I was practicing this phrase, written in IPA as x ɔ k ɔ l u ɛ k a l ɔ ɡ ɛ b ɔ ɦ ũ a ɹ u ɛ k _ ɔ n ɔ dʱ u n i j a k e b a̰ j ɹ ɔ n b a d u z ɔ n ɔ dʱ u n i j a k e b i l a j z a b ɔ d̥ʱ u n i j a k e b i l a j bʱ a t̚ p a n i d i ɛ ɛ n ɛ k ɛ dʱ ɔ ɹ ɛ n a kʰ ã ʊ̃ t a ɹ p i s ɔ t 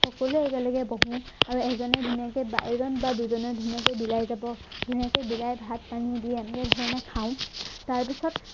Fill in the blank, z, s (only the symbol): z